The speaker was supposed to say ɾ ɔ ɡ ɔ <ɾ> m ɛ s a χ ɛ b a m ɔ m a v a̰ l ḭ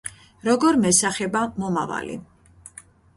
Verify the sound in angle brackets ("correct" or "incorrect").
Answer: correct